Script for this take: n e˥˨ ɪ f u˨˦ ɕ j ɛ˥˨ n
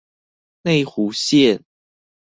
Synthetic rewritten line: n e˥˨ ɪ x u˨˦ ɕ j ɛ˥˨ n